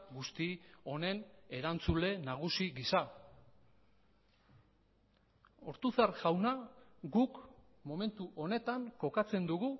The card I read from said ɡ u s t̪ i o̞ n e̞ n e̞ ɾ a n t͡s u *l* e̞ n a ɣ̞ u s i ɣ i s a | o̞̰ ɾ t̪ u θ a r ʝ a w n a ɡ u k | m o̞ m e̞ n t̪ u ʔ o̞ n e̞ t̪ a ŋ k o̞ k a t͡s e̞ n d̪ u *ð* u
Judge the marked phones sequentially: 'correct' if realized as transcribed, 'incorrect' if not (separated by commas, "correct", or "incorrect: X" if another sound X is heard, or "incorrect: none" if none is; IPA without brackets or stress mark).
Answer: correct, incorrect: ɣ